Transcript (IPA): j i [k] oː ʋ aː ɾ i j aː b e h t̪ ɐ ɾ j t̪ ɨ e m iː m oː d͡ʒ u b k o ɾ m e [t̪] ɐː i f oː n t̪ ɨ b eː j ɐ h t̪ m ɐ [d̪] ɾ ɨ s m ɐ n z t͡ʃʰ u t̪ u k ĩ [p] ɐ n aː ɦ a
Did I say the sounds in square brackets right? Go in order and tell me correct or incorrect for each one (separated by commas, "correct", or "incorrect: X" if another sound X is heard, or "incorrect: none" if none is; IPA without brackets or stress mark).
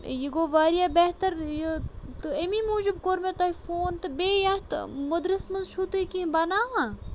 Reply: incorrect: ɡ, correct, correct, incorrect: b